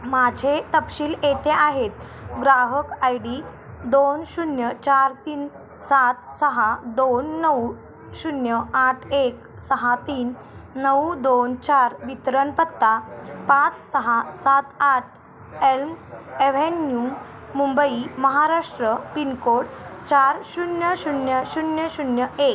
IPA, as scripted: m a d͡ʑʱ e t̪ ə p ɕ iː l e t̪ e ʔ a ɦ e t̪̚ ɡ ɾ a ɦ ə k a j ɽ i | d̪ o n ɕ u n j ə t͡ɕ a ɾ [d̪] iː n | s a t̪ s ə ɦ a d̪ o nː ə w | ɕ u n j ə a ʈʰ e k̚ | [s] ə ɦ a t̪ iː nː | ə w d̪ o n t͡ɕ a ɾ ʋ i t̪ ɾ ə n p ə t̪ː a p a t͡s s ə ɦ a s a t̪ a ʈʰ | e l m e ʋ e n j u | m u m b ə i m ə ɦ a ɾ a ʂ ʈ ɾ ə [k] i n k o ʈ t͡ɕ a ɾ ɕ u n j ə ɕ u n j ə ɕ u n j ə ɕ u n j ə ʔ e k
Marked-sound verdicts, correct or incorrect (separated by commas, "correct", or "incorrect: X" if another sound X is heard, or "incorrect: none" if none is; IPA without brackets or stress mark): incorrect: t̪, correct, incorrect: p